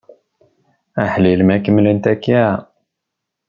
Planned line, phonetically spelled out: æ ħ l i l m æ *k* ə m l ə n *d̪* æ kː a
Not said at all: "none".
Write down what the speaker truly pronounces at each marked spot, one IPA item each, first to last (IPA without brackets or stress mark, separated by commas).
k, t̪